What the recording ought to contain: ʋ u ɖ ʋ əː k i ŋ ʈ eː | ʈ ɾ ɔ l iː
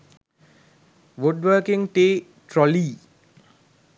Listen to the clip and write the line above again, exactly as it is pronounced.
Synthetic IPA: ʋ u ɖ ʋ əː k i ŋ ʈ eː | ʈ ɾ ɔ l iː